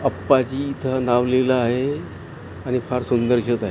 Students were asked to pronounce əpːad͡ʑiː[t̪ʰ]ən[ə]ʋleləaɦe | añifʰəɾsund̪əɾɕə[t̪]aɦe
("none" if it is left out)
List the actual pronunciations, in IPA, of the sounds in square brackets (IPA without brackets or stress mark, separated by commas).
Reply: t̪ʰ, a, t̪